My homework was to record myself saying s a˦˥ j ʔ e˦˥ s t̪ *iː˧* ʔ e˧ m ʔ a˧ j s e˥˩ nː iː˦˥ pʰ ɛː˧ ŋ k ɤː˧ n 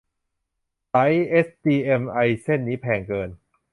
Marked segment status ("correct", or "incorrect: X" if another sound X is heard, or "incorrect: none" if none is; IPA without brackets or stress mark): correct